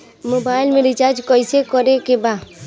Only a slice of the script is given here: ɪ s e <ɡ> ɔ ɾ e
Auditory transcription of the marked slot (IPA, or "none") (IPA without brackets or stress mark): k